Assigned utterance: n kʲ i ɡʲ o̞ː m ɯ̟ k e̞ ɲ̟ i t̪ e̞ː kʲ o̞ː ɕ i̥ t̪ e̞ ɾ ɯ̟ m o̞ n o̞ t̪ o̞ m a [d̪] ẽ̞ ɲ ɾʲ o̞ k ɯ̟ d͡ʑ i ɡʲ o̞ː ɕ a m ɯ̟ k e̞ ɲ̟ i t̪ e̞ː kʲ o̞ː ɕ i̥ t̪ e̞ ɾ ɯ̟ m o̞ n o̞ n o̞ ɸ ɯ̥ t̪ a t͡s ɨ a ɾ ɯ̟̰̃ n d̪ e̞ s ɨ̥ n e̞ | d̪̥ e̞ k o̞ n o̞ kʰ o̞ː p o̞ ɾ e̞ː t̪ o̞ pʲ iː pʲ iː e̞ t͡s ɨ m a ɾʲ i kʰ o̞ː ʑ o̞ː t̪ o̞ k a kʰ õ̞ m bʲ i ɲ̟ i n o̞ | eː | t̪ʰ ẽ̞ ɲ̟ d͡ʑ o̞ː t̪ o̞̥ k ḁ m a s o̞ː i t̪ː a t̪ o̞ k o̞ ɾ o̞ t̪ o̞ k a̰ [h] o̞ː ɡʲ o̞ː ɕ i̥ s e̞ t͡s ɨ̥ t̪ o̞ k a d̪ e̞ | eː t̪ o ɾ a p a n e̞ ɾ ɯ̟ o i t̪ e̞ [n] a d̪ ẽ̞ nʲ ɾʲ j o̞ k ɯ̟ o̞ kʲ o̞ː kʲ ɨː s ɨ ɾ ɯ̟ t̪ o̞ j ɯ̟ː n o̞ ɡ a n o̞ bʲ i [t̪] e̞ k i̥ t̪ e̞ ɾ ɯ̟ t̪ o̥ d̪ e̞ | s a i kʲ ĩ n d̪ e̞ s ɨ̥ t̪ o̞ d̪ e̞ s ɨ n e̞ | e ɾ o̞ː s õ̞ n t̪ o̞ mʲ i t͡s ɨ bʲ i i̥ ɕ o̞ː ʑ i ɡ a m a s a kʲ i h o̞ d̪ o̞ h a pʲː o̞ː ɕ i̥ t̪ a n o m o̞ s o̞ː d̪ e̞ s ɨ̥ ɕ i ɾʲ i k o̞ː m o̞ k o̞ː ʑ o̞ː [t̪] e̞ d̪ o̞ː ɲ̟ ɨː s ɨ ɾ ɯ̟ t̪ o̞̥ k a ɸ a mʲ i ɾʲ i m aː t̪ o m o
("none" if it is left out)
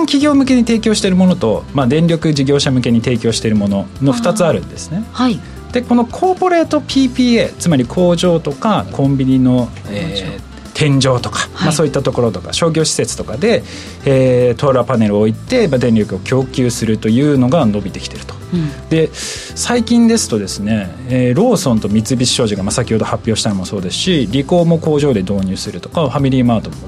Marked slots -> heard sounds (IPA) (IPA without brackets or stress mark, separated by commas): d̪, ɕ, m, t̪, d̪